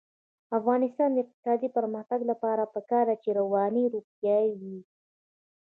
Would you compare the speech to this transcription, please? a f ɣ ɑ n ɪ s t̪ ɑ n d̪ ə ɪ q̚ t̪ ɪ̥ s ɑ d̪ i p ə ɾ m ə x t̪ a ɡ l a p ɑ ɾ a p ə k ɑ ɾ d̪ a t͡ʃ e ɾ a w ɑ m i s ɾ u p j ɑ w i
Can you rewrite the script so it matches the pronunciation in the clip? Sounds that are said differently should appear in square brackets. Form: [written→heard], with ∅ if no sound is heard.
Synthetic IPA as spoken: a f ɣ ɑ n ɪ s t̪ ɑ n d̪ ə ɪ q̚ t̪ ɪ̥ s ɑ d̪ i p ə ɾ m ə x t̪ a ɡ l a p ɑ ɾ a p ə k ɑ ɾ d̪ a t͡ʃ e ɾ a w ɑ [m→n] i [s→∅] ɾ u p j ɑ w i